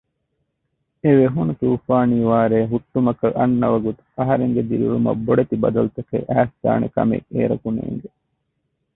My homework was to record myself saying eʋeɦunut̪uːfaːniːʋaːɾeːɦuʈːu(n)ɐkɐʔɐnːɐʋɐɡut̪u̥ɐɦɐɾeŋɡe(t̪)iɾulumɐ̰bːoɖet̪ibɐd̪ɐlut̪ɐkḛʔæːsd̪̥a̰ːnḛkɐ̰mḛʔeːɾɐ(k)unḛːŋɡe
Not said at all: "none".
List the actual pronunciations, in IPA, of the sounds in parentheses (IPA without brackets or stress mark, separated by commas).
m, d̪, k